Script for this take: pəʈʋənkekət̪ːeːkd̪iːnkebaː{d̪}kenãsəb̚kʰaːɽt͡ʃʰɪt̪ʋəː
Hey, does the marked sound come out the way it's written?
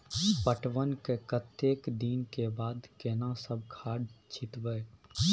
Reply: yes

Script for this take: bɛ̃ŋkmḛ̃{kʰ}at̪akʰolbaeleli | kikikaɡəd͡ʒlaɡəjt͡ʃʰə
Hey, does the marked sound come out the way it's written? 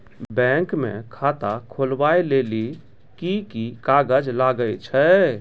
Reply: yes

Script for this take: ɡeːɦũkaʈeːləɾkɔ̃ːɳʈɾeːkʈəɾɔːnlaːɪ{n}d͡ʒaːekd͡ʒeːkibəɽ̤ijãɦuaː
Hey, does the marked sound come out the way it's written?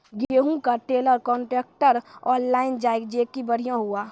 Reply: yes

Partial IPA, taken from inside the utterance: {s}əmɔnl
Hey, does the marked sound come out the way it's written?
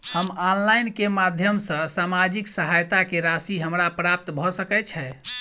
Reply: no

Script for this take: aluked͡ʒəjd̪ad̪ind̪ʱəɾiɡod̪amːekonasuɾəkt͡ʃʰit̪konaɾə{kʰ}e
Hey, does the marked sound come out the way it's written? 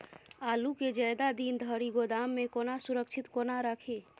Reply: yes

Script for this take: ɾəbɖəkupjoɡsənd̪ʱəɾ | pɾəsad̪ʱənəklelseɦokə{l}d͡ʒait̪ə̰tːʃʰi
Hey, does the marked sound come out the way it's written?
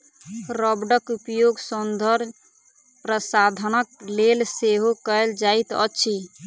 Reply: yes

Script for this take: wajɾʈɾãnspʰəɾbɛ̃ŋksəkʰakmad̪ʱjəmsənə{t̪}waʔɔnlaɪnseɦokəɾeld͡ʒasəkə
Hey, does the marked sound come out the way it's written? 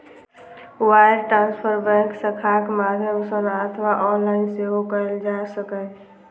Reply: no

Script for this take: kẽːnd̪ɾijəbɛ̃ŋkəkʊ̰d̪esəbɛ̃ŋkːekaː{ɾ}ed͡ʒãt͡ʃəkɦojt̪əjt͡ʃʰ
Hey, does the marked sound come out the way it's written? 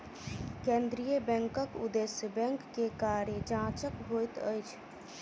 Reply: yes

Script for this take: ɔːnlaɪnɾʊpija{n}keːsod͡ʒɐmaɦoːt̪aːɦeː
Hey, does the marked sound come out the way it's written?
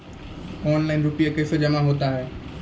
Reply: no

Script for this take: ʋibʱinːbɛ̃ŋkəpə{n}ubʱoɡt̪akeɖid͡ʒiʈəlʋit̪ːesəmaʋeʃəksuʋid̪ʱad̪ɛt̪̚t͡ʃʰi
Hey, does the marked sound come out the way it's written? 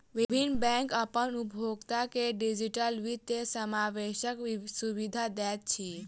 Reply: yes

